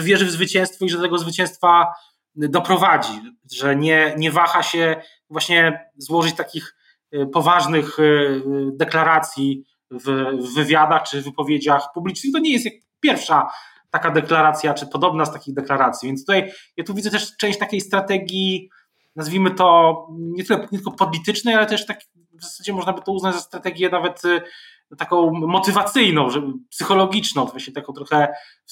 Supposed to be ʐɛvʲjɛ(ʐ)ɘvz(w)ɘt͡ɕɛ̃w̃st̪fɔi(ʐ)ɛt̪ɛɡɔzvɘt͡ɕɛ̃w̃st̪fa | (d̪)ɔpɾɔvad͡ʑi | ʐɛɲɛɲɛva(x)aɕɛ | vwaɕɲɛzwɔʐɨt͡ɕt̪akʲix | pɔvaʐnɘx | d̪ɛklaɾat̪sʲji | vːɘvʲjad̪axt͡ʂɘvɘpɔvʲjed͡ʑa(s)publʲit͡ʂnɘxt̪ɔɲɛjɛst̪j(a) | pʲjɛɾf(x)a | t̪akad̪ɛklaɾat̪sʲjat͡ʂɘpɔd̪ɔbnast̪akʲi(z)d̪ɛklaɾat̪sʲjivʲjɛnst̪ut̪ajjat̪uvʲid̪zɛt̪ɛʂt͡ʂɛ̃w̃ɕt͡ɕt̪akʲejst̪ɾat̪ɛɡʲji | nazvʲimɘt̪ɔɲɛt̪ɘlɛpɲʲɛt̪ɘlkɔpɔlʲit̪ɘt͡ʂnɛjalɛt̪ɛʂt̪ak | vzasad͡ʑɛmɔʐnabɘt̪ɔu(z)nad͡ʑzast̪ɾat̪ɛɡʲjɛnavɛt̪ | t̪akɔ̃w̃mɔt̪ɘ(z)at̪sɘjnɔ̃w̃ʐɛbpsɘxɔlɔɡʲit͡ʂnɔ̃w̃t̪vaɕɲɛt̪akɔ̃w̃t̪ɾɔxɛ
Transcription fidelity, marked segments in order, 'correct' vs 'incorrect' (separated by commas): correct, incorrect, correct, correct, correct, incorrect, correct, incorrect, incorrect, correct, incorrect